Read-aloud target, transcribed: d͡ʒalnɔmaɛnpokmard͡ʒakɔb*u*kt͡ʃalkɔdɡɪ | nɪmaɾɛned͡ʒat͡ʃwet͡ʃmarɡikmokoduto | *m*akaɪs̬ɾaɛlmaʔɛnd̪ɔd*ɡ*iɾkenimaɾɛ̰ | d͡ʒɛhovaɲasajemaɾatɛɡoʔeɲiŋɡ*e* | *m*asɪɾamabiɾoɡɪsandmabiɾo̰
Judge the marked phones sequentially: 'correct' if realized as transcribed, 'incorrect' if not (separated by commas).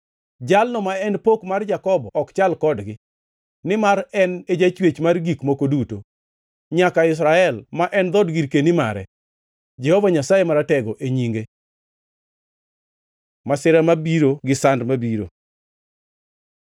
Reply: incorrect, incorrect, correct, correct, correct